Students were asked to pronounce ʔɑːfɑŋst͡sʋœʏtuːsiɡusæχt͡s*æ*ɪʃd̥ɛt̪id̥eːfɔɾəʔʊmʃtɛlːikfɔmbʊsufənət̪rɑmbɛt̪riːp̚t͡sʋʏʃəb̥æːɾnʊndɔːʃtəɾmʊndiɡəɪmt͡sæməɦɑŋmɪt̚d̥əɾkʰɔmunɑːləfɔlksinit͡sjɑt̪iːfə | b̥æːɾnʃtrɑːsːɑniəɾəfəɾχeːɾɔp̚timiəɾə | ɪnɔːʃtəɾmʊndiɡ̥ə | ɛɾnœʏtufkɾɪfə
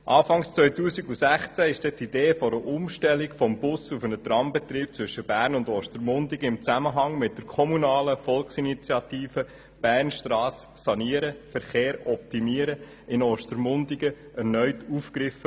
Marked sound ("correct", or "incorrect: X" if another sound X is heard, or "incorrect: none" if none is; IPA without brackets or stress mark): correct